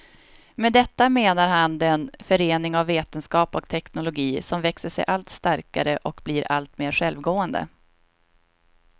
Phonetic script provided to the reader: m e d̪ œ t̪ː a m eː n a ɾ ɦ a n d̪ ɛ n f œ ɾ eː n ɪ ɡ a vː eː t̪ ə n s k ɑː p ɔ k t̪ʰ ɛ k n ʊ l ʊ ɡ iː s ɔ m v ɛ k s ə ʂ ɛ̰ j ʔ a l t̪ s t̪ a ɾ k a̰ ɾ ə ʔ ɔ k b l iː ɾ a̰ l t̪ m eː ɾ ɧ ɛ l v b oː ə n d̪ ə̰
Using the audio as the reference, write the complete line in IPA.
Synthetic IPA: m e d̪ ɛ t̪ː a m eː n a ɾ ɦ a n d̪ ɛ n f œ ɾ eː n ɪ ŋ a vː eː t̪ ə n s k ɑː p ɔ k t̪ʰ ɛ k n ʊ l ʊ ɡ iː s ɔ m v ɛ k s ə ʂ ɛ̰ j ʔ a l t̪ s t̪ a ɾ k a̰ ɾ ə ʔ ɔ k b l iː ɾ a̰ l t̪ m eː ɾ ɧ ɛ l v ɡ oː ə n d̪ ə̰